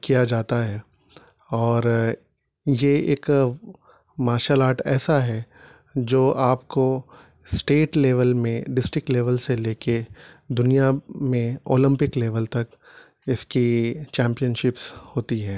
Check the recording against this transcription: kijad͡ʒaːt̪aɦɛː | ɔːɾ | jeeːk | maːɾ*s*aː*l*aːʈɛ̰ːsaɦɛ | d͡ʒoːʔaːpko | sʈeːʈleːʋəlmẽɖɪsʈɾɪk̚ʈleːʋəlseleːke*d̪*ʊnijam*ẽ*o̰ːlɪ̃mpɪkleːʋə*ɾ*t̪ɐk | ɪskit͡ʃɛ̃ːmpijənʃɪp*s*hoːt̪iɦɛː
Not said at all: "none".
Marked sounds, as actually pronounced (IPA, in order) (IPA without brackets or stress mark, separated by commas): ʃ, l, d̪, ẽ, l, s